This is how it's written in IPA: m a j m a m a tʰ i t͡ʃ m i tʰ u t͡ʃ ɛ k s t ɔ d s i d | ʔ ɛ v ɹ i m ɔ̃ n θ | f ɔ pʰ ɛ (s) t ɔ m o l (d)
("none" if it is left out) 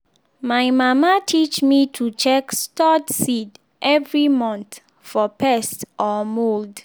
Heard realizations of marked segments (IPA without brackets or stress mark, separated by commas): s, d